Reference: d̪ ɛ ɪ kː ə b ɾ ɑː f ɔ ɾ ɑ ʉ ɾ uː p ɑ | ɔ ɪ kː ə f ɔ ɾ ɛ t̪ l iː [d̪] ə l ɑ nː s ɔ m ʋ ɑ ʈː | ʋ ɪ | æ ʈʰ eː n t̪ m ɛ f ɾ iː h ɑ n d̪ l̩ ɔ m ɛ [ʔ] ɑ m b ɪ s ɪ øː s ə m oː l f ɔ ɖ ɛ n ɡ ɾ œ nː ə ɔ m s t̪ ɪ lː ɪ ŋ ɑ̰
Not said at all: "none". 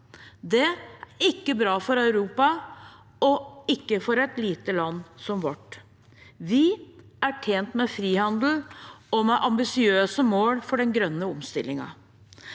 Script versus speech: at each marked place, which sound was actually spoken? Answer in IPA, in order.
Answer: t̪, ʔ

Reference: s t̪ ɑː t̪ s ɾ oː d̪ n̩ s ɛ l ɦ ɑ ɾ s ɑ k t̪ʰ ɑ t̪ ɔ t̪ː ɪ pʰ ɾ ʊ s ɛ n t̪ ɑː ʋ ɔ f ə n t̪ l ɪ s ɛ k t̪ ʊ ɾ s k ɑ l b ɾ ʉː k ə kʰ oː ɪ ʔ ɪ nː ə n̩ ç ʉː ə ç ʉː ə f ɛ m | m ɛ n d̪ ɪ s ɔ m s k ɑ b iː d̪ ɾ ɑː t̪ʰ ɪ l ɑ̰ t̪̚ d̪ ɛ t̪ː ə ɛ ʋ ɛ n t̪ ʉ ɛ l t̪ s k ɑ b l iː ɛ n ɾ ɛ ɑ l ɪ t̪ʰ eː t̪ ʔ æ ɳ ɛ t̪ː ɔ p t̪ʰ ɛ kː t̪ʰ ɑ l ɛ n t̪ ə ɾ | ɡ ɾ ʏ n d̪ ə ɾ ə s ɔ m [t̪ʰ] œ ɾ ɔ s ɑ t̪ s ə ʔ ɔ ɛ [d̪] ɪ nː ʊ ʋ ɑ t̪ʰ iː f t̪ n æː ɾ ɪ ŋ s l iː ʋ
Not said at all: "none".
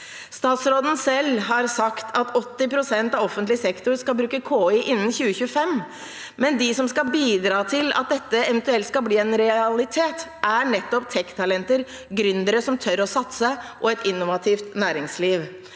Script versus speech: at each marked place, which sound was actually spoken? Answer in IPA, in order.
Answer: t̪ʰ, t̪

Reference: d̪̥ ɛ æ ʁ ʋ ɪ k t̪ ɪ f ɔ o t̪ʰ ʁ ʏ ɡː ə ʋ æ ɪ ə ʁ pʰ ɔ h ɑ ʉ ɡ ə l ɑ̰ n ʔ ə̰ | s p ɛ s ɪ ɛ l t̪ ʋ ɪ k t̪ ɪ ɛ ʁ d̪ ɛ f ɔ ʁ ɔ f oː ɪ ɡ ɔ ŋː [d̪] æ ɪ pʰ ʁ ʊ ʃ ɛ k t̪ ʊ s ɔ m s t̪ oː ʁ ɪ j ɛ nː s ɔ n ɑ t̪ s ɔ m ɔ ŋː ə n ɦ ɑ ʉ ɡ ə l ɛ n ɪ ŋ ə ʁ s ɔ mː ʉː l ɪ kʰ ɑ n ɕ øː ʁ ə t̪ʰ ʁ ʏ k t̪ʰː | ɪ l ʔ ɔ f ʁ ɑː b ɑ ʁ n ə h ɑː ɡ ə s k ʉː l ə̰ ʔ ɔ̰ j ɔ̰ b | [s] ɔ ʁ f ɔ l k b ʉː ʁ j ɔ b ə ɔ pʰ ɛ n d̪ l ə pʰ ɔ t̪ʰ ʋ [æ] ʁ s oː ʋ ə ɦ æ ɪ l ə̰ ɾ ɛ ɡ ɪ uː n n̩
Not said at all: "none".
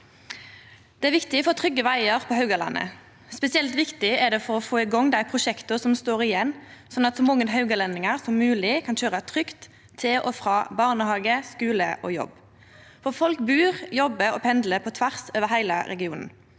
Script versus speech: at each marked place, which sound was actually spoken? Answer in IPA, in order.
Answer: d̪, f, æ

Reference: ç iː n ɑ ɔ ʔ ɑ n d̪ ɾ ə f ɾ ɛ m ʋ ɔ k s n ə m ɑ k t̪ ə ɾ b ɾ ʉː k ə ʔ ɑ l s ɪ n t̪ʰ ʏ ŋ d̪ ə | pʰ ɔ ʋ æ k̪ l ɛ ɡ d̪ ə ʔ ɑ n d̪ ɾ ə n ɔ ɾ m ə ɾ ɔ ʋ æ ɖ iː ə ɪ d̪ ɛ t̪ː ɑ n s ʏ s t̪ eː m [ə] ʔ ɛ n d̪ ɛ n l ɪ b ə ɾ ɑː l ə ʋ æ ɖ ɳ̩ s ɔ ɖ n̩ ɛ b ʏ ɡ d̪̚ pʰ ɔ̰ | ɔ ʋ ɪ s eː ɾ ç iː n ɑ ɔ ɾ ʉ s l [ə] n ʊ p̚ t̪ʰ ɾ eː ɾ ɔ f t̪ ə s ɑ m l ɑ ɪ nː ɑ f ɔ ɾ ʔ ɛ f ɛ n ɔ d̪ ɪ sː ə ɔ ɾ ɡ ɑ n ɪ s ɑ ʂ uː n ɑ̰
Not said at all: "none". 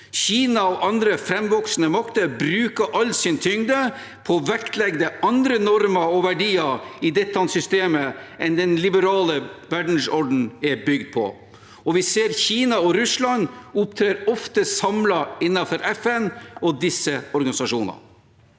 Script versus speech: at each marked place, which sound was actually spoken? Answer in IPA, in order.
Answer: ə, ɑ

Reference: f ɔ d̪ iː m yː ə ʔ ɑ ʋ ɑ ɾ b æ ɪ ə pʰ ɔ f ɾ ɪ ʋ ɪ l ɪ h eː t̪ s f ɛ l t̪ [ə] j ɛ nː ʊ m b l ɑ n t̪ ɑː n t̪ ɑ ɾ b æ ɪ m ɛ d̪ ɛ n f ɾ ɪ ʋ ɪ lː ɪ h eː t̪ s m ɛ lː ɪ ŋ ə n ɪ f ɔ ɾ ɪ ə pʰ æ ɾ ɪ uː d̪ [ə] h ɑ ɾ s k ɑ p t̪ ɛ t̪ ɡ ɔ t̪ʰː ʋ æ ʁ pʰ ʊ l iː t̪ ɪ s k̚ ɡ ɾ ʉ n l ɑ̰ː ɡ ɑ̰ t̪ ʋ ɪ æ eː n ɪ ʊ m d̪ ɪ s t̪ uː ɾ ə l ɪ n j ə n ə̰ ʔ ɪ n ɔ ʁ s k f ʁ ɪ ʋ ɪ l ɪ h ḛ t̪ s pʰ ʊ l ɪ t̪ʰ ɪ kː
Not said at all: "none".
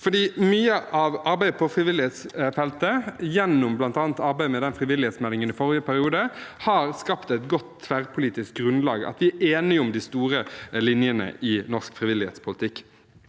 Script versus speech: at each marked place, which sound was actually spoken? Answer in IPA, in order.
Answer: ə, ə

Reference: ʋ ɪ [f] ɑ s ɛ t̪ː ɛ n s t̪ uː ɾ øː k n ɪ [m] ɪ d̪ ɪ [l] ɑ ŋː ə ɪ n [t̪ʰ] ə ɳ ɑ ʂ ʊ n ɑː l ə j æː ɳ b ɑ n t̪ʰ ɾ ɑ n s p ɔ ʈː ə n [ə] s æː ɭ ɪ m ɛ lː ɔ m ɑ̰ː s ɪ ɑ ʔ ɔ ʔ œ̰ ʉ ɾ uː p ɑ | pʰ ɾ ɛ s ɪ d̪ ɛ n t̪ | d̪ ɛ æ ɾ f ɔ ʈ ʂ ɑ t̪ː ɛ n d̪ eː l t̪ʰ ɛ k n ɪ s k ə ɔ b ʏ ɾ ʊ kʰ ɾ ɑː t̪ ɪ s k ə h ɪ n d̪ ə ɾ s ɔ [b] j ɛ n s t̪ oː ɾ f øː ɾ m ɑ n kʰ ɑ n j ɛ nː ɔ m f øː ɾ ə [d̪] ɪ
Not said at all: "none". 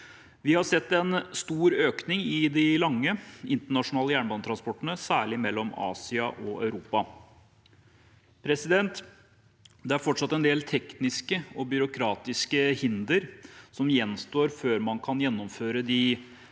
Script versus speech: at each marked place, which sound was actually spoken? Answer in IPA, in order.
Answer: h, ŋ, l, t̪, ə, m, d̪

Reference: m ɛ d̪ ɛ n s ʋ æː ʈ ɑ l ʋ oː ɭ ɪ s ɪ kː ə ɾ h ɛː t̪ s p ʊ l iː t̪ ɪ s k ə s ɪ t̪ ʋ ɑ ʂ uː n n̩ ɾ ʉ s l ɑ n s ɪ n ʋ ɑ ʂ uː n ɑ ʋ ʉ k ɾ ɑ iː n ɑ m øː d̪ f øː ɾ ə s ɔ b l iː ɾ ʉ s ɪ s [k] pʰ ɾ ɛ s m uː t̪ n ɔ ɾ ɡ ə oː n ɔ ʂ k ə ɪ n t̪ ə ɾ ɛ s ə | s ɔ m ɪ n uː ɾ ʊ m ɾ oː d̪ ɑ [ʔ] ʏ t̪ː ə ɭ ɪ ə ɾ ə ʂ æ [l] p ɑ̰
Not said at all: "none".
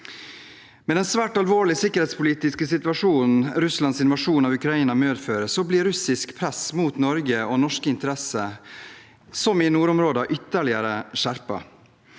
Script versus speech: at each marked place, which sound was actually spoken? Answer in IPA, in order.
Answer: k, ʔ, ɾ

